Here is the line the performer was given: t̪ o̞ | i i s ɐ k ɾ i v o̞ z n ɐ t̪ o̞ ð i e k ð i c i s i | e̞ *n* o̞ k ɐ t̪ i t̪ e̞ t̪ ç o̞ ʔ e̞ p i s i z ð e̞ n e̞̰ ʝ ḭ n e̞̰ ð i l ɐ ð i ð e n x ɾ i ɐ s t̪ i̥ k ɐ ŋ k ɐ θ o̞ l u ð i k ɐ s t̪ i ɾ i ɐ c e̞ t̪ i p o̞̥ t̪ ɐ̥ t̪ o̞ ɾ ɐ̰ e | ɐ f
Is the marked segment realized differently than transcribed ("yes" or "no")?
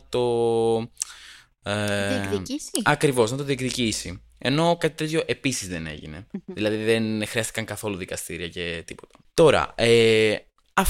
no